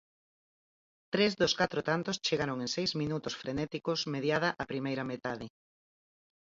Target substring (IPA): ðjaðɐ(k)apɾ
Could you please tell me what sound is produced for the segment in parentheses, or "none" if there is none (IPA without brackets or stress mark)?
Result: ʔ